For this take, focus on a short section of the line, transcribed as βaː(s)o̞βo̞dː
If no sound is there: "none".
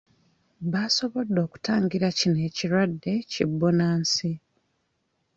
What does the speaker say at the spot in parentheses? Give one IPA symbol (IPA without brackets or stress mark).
s